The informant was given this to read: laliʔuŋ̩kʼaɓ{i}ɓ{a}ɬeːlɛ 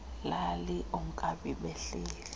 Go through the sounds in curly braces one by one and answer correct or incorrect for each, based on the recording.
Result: correct, incorrect: ɛ

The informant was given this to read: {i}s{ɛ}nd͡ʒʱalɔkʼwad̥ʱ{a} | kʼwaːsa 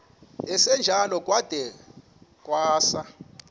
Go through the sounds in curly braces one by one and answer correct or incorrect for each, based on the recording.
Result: incorrect: ɛ, correct, incorrect: ɛ

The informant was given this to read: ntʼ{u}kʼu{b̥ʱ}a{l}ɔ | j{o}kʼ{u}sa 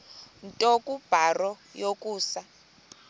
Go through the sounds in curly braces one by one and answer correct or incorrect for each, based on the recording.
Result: incorrect: ɔ, correct, incorrect: r, correct, incorrect: uː

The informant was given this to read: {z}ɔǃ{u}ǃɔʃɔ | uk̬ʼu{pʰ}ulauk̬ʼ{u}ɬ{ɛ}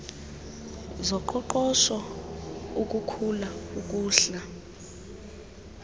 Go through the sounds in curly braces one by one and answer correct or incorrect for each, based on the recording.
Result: correct, incorrect: ɔ, incorrect: kʰ, incorrect: uː, incorrect: a

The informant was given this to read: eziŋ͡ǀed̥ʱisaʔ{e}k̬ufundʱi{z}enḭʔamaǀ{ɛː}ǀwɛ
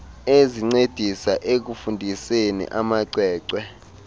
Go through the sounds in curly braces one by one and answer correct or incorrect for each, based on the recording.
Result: correct, incorrect: s, correct

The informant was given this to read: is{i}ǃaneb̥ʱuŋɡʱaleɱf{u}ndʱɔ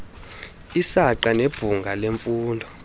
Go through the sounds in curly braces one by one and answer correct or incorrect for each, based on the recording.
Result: incorrect: a, incorrect: uː

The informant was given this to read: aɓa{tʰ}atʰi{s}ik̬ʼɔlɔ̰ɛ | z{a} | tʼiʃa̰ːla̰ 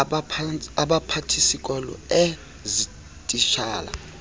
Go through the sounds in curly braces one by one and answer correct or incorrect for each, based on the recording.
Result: incorrect: pʰ, correct, incorrect: i

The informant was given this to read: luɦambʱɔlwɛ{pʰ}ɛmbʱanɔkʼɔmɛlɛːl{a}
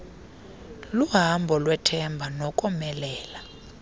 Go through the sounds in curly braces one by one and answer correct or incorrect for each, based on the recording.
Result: incorrect: tʰ, correct

